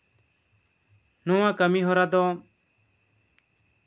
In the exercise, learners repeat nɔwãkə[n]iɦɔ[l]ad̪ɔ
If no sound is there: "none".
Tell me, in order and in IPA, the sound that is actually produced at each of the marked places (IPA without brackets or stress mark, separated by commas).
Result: m, ɾ